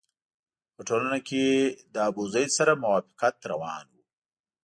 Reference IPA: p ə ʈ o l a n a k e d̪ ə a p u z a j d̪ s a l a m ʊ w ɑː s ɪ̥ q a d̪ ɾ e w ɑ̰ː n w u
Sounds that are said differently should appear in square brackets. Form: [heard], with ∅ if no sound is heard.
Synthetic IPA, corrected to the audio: p ə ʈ o l a n a k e d̪ ə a [b] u z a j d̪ s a [ɾ] a m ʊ w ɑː [f] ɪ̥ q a [t̪] ɾ [a] w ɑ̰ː n w u